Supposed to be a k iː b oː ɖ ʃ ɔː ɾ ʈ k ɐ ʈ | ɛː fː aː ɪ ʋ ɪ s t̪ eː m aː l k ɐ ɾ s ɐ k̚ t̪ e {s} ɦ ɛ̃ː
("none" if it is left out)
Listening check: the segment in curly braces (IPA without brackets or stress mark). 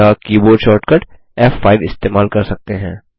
none